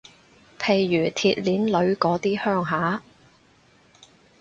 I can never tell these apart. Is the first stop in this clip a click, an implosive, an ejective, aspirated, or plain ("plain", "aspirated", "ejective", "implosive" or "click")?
aspirated